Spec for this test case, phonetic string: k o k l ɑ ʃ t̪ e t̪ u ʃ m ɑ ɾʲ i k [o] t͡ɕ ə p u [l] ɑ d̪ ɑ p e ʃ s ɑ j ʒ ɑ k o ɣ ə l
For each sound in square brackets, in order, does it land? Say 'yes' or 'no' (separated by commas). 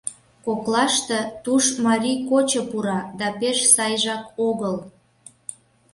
yes, no